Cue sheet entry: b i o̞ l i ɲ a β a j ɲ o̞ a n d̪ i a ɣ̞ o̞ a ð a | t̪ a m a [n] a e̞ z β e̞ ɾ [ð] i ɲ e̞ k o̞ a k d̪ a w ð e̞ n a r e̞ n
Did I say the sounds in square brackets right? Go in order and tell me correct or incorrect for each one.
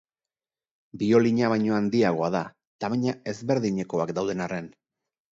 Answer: incorrect: ɲ, correct

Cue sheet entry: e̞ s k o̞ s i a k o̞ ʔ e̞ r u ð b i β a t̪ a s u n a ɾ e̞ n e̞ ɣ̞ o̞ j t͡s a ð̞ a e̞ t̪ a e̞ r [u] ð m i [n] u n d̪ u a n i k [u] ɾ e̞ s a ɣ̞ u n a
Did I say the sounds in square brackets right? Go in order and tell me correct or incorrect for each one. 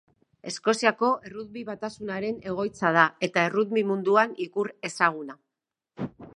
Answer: correct, incorrect: m, correct

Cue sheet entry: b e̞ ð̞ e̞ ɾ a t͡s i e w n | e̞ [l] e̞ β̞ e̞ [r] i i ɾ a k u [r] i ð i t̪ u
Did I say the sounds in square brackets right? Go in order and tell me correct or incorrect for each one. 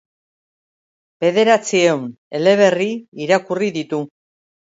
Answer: correct, correct, correct

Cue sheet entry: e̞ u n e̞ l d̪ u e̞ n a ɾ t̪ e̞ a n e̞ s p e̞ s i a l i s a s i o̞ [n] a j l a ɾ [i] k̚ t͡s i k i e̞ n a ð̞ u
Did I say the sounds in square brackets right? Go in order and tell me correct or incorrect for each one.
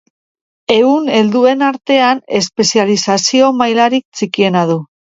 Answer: incorrect: m, correct

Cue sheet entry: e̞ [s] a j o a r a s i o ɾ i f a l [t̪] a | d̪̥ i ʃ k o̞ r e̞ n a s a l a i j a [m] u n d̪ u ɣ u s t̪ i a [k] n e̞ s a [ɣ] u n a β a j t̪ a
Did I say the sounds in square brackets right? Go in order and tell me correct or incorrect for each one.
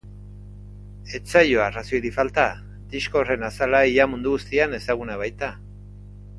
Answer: incorrect: t͡s, correct, correct, incorrect: none, correct

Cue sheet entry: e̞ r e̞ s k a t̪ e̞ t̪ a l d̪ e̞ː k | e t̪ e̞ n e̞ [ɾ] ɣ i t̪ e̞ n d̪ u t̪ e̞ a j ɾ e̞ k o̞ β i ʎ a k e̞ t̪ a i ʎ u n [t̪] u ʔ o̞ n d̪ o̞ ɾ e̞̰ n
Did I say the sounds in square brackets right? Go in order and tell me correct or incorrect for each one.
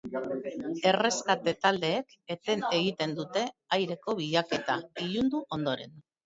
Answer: incorrect: none, incorrect: d̪

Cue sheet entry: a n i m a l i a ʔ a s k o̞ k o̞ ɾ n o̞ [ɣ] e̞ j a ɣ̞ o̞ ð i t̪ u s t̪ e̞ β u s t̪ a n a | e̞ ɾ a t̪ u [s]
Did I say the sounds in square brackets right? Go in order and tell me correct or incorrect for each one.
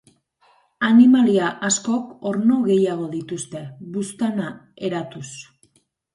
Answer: correct, correct

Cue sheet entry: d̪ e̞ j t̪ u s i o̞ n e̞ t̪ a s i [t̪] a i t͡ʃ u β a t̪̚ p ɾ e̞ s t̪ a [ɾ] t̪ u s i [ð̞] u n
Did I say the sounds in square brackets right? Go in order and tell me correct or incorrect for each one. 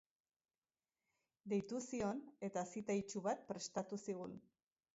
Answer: correct, incorrect: none, incorrect: ɣ̞

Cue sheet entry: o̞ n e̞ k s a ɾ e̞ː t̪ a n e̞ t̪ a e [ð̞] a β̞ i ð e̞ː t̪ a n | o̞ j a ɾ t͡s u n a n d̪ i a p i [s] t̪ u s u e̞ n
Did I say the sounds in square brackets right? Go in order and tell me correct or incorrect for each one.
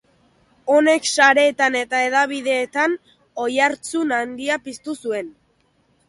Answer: correct, correct

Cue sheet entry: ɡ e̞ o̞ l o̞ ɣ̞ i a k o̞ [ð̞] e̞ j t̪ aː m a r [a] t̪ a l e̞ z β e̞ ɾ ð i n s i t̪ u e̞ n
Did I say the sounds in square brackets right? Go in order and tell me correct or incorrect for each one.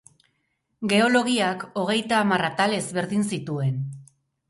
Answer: incorrect: ɣ̞, correct

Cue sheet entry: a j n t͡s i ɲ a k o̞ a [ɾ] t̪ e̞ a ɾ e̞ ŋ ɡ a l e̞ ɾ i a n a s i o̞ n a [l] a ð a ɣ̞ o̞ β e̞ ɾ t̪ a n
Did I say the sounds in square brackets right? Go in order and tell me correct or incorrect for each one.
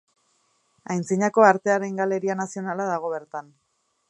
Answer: correct, correct

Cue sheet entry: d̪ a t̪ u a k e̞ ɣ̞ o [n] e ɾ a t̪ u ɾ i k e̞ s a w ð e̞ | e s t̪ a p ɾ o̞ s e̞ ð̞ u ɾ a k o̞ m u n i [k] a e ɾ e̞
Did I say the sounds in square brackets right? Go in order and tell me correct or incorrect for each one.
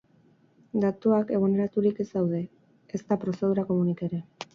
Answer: correct, correct

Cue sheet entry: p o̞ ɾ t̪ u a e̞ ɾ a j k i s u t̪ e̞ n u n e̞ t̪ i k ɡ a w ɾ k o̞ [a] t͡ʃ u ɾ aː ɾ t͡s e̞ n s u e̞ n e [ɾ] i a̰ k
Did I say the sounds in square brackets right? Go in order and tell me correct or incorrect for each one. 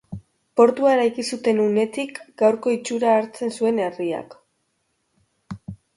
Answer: incorrect: i, incorrect: r

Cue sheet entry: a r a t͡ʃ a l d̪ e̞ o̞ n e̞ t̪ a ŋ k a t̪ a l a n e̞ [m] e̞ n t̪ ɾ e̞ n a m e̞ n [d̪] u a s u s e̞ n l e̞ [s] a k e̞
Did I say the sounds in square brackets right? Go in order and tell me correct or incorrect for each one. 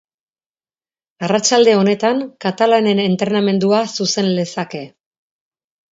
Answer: incorrect: n, correct, correct

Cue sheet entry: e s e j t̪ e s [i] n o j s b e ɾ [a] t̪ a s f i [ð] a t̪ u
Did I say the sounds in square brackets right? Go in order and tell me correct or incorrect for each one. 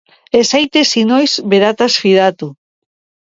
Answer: correct, correct, correct

